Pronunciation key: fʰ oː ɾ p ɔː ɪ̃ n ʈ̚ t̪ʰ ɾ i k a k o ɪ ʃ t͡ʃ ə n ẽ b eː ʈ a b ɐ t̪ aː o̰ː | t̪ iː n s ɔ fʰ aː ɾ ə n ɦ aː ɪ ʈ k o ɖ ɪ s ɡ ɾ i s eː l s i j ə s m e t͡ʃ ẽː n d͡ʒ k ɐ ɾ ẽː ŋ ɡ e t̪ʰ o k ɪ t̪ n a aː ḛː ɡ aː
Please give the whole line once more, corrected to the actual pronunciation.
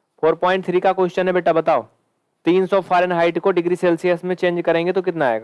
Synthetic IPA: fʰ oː ɾ p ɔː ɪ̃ ɳ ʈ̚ t̪ʰ ɾ i k a k o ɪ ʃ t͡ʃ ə n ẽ b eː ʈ a b ɐ t̪ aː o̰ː | t̪ iː n s ɔ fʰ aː ɾ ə n ɦ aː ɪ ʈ k o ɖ ɪ ɡ ɾ i s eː l s i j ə s m ẽ t͡ʃ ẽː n d͡ʒ k ɐ ɾ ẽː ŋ ɡ e t̪ o k ɪ t̪ n a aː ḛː ɡ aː

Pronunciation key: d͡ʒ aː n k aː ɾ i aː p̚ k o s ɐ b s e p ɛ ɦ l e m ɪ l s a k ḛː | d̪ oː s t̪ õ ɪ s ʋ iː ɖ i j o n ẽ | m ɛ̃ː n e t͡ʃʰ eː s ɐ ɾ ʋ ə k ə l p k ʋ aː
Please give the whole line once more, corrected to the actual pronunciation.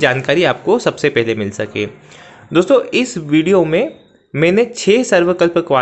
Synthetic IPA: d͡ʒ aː n k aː ɾ i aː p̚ k o s ɐ b s e p ɛ ɦ l e m ɪ l s ɐ k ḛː | d̪ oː s t̪ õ ɪ s ʋ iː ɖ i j o m ẽ | m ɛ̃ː n e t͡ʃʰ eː s ɐ ɾ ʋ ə k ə l p k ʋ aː

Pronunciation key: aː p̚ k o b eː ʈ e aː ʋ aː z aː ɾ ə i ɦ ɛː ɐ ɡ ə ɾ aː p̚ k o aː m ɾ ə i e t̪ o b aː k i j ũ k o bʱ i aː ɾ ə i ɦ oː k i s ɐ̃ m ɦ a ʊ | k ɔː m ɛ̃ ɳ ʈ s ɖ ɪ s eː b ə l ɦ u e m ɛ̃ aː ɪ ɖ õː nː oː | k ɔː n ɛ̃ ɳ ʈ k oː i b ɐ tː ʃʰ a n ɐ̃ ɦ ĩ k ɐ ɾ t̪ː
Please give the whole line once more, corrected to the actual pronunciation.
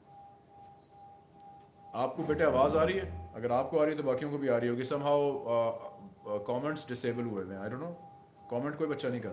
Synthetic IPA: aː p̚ k o b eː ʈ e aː ʋ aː z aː ɾ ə i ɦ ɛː ɐ ɡ ə ɾ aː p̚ k o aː ɾ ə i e t̪ o b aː k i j õ k o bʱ i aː ɾ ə i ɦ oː ɡ i s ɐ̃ m ɦ a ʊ | k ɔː m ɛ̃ ɳ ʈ s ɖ ɪ s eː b ə l ɦ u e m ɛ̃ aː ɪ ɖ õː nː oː | k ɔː m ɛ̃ ɳ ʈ k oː i b ɐ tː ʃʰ a n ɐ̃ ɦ ĩ k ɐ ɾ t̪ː

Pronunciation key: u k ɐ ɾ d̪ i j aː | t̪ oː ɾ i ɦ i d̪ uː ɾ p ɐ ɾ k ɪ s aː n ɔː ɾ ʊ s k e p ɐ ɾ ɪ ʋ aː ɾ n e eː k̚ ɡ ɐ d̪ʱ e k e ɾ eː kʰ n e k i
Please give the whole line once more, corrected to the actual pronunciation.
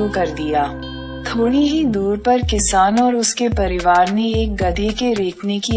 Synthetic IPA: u k ɐ ɾ d̪ i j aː | t̪ʰ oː ɽ i ɦ i d̪ uː ɾ p ɐ ɾ k ɪ s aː n ɔː ɾ ʊ s k e p ɐ ɾ ɪ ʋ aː ɾ n e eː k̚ ɡ ɐ d̪ʱ e k e ɾ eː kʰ n e k i

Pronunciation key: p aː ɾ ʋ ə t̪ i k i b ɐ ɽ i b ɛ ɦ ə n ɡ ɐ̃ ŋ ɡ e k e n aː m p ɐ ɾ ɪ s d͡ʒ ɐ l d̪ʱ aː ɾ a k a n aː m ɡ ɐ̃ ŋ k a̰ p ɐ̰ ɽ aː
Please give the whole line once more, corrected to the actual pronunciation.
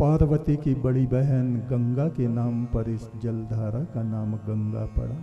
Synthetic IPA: p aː ɾ ʋ ə t̪ i k i b ɐ ɽ i b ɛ ɦ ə n ɡ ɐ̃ ŋ ɡ a k e n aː m p ɐ ɾ ɪ s d͡ʒ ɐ l d̪ʱ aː ɾ a k a n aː m ɡ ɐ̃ ŋ ɡ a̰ p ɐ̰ ɽ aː

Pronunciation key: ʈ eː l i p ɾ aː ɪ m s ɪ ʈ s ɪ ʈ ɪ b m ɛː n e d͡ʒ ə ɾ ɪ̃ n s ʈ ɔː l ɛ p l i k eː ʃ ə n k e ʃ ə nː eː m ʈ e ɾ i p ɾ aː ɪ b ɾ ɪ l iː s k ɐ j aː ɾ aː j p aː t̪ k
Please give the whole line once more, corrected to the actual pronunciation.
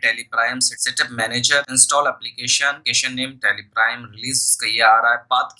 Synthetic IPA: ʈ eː l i p ɾ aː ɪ m s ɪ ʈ s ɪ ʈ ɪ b m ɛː n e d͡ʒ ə ɾ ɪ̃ n s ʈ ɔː l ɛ p l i k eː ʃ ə n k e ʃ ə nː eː m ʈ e l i p ɾ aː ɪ m ɾ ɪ l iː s k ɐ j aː ɾ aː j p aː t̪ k

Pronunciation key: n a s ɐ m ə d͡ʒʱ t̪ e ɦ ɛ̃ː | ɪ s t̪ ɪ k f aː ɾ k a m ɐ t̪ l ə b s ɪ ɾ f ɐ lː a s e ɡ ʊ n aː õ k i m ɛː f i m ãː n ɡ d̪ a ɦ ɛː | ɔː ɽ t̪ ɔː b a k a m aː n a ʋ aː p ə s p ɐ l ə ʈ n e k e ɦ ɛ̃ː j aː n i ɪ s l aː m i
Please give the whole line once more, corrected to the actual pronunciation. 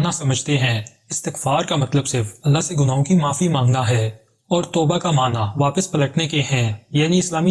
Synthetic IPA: n a s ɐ m ə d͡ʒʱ t̪ e ɦ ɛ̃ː | ɪ s t̪ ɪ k f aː ɾ k a m ɐ t̪ l ə b s ɪ ɾ f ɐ lː a s e ɡ ʊ n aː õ k i m aː f i m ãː ŋ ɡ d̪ a ɦ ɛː | ɔː ɾ t̪ ɔː b a k a m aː n a ʋ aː p ə s p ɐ l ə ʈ n e k e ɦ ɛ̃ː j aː n i ɪ s l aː m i

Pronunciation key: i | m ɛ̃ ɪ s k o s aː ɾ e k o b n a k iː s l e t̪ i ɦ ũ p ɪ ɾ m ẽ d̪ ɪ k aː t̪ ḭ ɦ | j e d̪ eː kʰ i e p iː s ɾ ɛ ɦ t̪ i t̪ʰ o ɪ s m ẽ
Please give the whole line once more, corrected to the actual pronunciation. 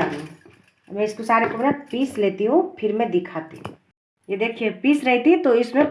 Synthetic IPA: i | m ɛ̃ ɪ s k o s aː ɾ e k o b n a p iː s l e t̪ i ɦ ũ pʰ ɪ ɾ m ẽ d̪ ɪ kʰ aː t̪ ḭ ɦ | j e d̪ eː kʰ i e p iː s ɾ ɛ ɦ t̪ i t̪ o ɪ s m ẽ

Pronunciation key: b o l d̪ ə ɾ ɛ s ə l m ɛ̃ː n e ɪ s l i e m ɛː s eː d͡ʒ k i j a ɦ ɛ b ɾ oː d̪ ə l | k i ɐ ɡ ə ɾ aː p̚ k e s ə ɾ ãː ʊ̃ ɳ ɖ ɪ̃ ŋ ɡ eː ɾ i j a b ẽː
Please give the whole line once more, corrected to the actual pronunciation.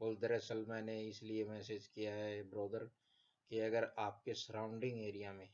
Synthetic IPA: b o l d̪ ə ɾ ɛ s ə l m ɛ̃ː n e ɪ s l i e m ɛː s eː d͡ʒ k i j a ɦ ɛ b ɾ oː d̪ ə ɾ | k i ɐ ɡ ə ɾ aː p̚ k e s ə ɾ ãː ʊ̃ ɳ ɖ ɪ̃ ŋ ɡ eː ɾ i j a m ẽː

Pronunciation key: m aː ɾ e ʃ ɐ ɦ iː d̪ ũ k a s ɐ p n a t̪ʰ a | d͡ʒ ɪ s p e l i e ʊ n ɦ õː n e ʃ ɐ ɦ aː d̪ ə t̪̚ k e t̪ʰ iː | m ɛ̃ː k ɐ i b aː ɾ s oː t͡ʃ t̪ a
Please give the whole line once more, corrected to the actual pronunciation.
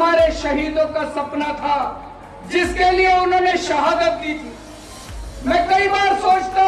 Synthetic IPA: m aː ɾ e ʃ ɐ ɦ iː d̪ õ k a s ɐ p n a t̪ʰ a | d͡ʒ ɪ s k e l i e ʊ n ɦ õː n e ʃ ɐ ɦ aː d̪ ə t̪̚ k i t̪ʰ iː | m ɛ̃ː k ɐ i b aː ɾ s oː t͡ʃ t̪ a

